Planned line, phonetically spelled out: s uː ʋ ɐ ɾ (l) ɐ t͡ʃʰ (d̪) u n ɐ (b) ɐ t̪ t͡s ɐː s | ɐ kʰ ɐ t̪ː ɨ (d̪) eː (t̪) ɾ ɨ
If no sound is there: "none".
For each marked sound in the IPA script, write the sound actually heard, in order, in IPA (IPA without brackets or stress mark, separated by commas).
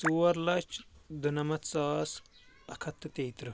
l, d̪, m, t̪, t̪